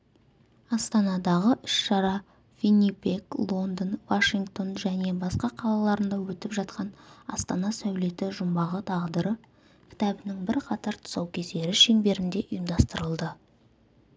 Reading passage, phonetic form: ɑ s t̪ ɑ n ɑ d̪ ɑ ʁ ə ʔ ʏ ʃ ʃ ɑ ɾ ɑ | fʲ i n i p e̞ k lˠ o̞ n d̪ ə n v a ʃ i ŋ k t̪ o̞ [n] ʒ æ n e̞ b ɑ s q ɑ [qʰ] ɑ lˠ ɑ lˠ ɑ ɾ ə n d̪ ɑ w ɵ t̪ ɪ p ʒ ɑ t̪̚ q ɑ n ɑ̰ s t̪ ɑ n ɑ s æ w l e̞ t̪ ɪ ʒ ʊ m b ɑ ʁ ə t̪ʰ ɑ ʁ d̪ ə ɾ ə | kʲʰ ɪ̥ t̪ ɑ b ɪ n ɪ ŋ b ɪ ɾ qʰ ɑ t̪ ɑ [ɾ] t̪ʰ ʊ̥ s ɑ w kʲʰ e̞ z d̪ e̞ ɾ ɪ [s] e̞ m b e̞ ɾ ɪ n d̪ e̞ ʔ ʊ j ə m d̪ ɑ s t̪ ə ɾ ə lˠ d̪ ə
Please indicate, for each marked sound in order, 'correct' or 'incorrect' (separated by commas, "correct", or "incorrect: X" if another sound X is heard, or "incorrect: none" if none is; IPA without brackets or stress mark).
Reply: correct, correct, correct, incorrect: ʃ